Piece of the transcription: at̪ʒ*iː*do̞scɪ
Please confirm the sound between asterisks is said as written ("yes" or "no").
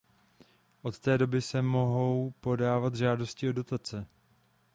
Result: no